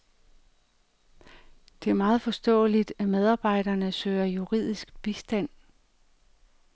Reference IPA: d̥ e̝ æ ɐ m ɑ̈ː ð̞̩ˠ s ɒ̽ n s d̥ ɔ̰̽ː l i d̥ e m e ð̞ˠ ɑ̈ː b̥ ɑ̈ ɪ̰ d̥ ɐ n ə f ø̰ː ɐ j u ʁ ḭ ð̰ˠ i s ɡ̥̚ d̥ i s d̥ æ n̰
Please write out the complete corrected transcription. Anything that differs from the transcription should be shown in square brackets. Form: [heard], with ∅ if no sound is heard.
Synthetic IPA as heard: d̥ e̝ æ ɐ m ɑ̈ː ð̞̩ˠ [f] ɒ̽ [∅] s d̥ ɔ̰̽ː l i d̥ [æ] m e ð̞ˠ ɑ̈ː b̥ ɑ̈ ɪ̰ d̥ ɐ n ə [s] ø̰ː ɐ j u ʁ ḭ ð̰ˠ i s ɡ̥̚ [b̥] i s d̥ æ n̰